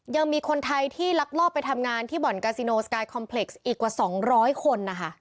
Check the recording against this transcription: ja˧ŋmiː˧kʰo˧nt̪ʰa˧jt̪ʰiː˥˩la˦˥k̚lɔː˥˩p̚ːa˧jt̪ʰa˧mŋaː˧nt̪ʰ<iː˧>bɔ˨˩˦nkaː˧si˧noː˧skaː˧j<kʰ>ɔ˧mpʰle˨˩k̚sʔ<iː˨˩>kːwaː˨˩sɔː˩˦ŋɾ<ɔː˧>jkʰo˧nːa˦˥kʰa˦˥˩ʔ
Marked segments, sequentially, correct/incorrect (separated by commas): incorrect, correct, correct, incorrect